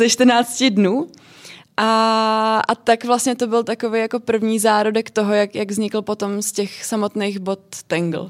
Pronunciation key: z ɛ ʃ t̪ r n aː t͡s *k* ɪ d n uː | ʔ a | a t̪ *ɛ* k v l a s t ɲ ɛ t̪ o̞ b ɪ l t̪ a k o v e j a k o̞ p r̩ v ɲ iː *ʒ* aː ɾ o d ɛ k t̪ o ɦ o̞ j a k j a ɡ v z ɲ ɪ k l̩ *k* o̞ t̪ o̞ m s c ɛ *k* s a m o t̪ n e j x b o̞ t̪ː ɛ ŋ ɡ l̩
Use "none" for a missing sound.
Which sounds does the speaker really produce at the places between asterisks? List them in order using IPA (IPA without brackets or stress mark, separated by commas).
c, a, z, p, x